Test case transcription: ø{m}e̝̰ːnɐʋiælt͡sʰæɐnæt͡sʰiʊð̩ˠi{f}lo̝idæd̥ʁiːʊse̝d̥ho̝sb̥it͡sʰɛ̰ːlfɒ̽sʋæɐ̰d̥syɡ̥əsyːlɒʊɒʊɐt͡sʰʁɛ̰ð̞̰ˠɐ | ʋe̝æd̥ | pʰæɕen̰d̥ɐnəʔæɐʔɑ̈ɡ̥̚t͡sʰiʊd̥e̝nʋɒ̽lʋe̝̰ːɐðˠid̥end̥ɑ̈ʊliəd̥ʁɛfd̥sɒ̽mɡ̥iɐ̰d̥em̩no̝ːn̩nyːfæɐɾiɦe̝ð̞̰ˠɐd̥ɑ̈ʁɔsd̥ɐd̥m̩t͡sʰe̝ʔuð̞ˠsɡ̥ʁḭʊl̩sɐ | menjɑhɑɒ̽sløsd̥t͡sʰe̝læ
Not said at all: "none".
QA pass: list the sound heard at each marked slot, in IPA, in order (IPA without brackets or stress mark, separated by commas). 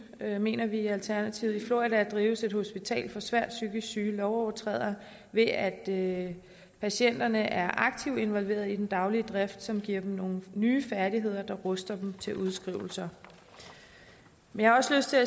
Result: m, f